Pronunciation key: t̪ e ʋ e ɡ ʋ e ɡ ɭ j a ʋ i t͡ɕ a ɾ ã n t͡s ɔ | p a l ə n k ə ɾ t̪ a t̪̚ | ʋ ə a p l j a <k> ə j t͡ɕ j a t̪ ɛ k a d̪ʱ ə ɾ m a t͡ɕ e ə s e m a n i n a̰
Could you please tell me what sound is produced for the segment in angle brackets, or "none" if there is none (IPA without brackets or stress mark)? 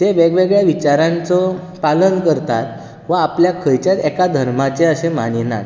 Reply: kʰ